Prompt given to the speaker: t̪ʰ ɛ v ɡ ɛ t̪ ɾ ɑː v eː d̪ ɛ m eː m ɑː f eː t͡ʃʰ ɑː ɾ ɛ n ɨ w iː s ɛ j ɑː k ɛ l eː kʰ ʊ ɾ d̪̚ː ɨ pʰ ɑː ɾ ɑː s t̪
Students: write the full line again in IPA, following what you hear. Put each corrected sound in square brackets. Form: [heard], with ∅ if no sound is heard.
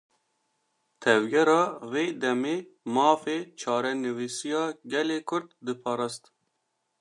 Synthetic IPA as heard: t̪ʰ ɛ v ɡ ɛ [∅] ɾ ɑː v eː d̪ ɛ m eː m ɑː f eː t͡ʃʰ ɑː ɾ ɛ n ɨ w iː s [i] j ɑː [ɡ] ɛ l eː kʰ ʊ ɾ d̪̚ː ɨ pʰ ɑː ɾ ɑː s t̪

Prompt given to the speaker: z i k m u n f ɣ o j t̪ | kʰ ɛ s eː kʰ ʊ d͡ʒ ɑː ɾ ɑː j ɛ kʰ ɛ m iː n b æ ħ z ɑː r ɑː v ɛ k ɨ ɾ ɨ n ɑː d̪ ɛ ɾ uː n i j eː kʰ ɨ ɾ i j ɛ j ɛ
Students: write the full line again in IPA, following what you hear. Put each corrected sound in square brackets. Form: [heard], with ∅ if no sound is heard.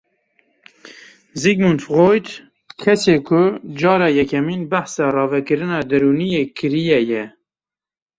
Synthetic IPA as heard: z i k m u n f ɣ o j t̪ | kʰ ɛ s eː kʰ ʊ d͡ʒ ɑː ɾ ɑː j ɛ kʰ ɛ m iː n b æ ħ [s] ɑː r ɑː v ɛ k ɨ ɾ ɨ n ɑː d̪ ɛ ɾ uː n i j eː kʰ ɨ ɾ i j ɛ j ɛ

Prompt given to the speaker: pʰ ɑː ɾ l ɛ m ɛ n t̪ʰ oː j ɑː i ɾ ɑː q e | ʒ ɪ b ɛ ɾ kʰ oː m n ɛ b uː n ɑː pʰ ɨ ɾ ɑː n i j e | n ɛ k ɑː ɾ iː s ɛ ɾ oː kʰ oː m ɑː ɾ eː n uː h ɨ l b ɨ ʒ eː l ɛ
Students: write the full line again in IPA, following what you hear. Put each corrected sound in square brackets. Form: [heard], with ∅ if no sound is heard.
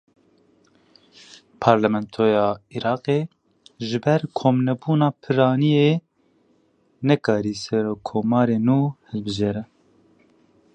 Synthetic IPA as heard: pʰ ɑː ɾ l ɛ m ɛ n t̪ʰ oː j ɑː i ɾ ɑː q e | ʒ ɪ b ɛ ɾ kʰ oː m n ɛ b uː n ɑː pʰ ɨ ɾ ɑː n i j e | n ɛ k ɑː ɾ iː s ɛ ɾ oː kʰ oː m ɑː ɾ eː n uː h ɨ l b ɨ ʒ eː [ɾ] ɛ

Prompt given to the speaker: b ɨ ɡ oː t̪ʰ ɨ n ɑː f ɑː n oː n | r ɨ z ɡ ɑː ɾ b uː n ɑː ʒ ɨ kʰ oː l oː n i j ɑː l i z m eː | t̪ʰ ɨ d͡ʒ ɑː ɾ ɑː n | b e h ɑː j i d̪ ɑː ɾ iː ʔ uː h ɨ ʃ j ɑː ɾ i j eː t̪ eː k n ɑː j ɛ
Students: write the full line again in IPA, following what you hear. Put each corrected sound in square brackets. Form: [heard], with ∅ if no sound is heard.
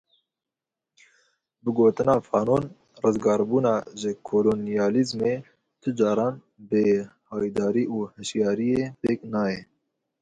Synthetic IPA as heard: b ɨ ɡ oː [t̪] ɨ n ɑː f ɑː n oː n | r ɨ z ɡ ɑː ɾ b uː n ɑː ʒ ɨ kʰ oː l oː n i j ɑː l i z m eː | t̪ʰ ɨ d͡ʒ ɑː ɾ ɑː n | b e h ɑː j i d̪ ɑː ɾ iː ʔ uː h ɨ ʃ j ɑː ɾ i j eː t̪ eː k n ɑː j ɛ

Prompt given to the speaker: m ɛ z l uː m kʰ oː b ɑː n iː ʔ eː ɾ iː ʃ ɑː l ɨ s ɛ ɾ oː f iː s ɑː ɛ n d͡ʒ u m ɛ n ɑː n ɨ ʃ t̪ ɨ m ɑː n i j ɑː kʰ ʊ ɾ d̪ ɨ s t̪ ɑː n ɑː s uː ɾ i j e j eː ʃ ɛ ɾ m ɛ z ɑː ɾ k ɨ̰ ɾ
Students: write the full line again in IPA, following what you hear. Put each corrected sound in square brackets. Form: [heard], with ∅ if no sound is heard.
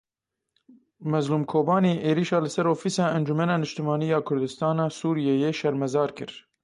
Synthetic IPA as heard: m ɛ z l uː m kʰ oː b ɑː n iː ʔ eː ɾ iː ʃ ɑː l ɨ s ɛ ɾ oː f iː s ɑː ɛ n d͡ʒ u m ɛ n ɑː n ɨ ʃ t̪ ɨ m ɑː n i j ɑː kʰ ʊ ɾ d̪ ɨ s t̪ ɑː n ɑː s uː ɾ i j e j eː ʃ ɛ ɾ m ɛ z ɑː ɾ k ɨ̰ ɾ

